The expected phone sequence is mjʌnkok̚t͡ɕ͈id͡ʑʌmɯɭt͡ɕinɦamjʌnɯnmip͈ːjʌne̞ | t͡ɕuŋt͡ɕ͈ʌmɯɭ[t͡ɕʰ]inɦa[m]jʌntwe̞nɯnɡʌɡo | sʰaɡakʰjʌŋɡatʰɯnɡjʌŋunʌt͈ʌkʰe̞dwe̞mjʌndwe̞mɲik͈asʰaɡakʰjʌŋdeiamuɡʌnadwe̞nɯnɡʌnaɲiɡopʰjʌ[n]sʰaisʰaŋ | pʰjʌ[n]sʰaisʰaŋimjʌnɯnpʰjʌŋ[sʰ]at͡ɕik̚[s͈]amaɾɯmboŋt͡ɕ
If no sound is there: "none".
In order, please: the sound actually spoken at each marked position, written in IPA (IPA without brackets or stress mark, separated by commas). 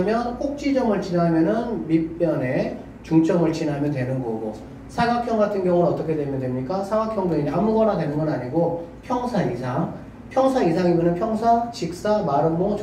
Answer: t͡ɕ, m, ŋ, ŋ, sʰ, s͈